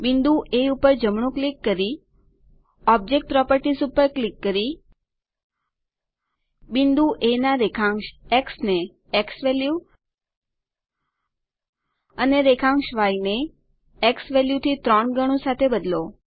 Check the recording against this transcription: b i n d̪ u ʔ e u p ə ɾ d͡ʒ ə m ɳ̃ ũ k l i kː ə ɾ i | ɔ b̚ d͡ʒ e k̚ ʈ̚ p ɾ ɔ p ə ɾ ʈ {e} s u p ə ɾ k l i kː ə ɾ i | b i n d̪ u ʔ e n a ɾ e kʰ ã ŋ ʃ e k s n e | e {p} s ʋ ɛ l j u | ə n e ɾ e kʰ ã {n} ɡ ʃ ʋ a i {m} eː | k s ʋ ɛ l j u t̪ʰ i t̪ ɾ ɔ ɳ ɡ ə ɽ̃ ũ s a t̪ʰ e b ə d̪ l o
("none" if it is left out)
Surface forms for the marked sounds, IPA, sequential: i, k, ŋ, n

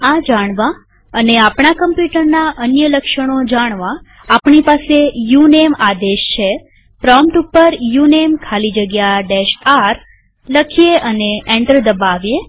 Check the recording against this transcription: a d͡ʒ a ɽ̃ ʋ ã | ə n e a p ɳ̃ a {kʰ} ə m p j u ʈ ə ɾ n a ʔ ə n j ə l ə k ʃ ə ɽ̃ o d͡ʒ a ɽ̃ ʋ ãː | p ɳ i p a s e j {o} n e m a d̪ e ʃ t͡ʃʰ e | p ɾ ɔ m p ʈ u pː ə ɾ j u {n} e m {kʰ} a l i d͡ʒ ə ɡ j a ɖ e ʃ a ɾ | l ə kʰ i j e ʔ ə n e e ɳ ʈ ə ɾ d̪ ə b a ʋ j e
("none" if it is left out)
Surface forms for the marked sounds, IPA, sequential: k, u, n, kʰ

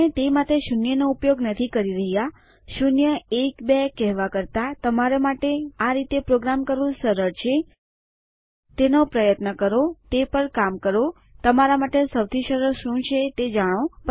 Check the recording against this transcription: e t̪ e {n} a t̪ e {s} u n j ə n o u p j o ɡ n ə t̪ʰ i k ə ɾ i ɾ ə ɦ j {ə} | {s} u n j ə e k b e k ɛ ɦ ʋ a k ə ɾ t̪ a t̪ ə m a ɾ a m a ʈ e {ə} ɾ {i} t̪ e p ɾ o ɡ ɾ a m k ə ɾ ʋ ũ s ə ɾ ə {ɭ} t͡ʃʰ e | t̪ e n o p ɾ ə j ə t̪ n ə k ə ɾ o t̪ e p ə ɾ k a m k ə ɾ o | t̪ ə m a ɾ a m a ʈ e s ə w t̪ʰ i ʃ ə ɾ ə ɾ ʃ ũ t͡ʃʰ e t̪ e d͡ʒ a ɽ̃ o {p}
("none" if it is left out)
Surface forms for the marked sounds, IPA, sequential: m, ʃ, a, ʃ, a, i, ɾ, p

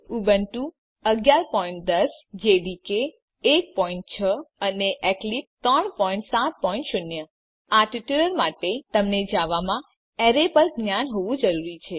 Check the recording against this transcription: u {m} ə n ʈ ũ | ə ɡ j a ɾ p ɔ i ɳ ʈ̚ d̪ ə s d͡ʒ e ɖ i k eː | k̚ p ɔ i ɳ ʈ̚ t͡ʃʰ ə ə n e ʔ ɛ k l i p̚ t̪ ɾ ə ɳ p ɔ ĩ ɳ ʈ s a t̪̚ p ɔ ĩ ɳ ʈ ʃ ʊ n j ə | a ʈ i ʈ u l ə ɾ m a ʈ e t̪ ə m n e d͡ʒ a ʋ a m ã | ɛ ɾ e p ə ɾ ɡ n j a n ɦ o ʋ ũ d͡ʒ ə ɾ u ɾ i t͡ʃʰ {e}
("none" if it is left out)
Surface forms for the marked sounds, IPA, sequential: b, e

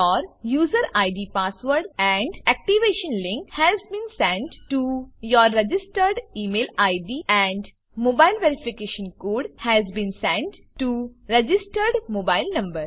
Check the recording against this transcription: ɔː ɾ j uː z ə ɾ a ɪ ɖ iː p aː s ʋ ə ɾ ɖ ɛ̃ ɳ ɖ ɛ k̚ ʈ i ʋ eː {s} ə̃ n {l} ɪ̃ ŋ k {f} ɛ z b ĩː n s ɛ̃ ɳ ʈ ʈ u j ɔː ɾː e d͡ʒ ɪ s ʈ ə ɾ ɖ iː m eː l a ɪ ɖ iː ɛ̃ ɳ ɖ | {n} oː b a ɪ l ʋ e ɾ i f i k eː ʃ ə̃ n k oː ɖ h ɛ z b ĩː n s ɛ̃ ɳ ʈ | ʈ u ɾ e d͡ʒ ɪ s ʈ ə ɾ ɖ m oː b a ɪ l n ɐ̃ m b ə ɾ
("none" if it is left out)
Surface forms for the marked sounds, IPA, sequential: ʃ, l, h, m

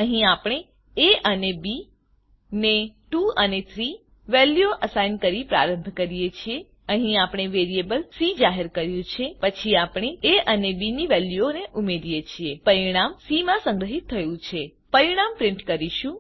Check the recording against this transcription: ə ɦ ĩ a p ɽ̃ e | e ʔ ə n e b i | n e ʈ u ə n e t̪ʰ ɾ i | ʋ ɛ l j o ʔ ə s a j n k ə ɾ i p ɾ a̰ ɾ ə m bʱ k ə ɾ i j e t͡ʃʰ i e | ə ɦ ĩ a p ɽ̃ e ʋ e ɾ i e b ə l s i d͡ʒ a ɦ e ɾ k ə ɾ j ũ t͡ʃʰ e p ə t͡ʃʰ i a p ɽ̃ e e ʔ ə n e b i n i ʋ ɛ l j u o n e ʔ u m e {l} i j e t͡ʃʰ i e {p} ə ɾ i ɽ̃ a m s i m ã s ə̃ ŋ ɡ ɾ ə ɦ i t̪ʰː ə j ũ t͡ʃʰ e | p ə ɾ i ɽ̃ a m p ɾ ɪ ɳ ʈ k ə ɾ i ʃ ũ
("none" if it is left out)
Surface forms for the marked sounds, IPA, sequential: ɾ, p

